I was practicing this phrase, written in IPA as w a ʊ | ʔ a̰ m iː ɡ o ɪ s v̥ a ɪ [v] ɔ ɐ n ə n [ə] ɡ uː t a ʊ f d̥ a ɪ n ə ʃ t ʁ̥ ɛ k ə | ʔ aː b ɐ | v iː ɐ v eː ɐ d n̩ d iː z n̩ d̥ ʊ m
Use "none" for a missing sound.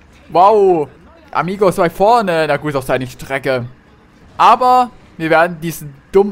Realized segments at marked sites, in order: f, a

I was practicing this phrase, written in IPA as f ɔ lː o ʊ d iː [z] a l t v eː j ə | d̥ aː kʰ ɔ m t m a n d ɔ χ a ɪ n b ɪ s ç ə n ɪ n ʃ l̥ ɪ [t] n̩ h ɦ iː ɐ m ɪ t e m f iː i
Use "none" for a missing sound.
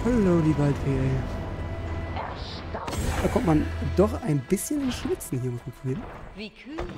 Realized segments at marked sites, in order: v, t͡s

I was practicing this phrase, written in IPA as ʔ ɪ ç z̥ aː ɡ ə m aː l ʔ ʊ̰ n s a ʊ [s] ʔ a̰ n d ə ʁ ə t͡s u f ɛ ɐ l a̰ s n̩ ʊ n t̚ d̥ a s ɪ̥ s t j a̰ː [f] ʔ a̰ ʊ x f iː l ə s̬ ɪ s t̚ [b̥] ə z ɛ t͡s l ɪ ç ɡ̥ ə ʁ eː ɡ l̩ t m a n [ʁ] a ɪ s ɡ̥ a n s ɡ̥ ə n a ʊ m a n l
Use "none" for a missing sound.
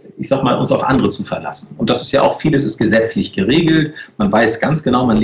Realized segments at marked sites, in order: f, none, ɡ̥, v

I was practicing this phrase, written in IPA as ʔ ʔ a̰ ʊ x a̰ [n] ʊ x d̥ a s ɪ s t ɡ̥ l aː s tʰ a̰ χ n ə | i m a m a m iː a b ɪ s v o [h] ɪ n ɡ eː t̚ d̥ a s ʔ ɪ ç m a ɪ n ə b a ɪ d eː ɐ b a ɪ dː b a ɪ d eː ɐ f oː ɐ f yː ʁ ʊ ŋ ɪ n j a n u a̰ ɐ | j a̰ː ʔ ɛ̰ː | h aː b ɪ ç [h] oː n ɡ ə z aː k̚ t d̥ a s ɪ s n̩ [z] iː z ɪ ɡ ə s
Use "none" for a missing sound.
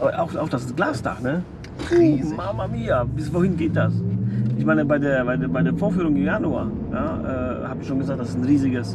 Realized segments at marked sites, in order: none, h, ʃ, ʁ

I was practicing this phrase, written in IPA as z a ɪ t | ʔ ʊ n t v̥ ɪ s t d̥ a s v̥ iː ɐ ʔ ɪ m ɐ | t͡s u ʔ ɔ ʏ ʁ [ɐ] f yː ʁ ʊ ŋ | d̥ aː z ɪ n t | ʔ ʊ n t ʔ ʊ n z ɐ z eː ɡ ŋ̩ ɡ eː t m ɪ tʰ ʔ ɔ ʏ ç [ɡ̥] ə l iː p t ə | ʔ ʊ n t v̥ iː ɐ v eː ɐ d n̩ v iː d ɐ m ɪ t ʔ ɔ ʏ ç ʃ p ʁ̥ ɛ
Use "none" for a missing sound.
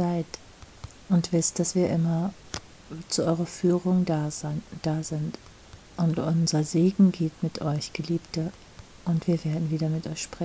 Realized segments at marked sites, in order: ɐ, ɡ̥

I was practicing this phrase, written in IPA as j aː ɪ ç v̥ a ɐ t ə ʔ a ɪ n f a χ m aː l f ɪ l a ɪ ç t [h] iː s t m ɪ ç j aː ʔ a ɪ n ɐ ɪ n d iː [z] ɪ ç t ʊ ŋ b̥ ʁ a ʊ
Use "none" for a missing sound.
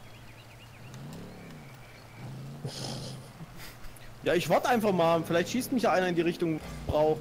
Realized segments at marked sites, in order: ʃ, ʁ

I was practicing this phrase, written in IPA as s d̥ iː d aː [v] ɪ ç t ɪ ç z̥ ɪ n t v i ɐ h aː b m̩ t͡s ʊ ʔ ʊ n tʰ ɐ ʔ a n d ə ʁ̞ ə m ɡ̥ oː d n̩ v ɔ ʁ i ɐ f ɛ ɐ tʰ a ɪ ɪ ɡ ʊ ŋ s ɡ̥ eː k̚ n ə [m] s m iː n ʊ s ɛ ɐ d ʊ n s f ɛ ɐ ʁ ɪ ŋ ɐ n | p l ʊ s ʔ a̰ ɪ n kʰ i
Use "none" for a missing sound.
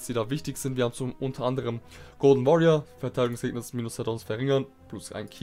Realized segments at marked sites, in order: v, none

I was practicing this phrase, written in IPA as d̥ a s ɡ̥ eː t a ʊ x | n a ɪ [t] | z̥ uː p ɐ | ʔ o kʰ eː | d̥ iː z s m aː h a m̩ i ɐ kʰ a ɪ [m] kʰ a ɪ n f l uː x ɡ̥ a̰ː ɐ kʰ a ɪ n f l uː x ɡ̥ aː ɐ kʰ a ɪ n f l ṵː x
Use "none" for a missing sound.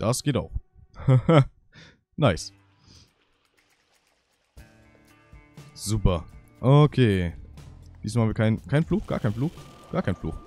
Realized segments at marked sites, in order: s, n

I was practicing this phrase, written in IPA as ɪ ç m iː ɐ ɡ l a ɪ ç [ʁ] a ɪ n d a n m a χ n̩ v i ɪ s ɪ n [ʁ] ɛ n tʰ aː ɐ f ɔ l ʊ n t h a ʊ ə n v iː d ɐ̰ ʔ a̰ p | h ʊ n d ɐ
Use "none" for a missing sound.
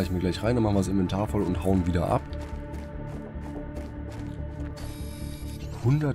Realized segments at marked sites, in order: ʁ, v

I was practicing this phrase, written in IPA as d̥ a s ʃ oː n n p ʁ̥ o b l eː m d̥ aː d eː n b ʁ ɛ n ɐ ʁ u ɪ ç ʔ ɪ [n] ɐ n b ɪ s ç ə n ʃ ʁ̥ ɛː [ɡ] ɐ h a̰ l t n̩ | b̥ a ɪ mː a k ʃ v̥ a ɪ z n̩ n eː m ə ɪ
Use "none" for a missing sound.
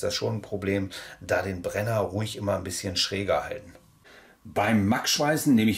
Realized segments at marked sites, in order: m, ɡ

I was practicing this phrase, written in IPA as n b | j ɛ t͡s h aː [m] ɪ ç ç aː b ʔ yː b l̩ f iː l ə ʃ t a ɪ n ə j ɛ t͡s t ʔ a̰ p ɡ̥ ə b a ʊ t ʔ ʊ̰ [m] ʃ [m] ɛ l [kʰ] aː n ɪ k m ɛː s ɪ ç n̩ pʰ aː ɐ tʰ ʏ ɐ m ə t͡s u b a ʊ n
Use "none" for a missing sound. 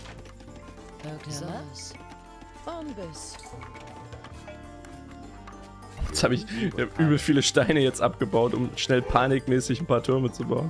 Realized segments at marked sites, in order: b, m, n, pʰ

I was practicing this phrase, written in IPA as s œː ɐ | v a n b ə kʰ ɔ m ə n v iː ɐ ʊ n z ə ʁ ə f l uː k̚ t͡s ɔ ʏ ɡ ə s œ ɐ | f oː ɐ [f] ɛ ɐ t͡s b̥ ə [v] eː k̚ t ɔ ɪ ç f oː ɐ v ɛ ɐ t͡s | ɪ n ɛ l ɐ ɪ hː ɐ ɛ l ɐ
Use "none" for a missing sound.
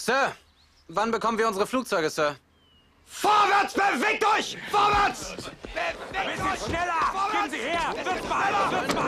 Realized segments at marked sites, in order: v, v

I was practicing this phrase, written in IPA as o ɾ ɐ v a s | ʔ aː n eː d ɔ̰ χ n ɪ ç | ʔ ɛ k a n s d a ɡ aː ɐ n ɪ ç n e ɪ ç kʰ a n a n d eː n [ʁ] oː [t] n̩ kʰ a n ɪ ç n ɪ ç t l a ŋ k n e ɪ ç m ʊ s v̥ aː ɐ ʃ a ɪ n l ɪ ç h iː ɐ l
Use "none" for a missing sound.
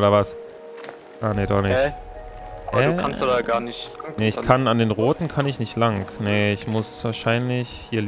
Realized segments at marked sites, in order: ʁ, t

